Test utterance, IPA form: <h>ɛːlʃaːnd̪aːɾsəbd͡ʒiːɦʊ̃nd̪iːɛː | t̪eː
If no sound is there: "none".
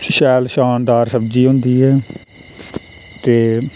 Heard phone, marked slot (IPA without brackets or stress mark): ʃ